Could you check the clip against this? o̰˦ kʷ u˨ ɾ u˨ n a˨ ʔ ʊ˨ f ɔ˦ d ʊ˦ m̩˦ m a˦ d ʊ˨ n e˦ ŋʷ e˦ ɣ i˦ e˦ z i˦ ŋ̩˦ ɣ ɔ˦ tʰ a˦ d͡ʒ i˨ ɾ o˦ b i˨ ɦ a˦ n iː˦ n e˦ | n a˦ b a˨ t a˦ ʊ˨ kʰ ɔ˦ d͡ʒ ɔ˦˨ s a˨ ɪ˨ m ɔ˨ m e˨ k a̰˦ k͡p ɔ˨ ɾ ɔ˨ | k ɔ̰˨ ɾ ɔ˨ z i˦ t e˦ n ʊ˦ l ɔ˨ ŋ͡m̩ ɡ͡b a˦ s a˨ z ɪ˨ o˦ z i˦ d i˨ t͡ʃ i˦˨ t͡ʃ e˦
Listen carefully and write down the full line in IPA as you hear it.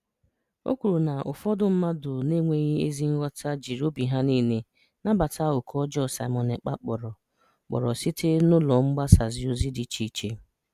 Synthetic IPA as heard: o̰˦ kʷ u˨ ɾ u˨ n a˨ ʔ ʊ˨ f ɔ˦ d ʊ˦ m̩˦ m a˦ d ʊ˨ n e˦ ŋʷ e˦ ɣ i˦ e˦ z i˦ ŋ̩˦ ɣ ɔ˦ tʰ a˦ d͡ʒ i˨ ɾ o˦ b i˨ ɦ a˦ n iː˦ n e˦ | n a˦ b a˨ t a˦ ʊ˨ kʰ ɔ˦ d͡ʒ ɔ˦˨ s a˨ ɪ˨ m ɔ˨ n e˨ k͡p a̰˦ k͡p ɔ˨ ɾ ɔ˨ | k͡p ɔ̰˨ ɾ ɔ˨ s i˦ t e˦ n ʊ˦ l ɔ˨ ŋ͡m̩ ɡ͡b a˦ s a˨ z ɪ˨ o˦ z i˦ d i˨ t͡ʃ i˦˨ t͡ʃ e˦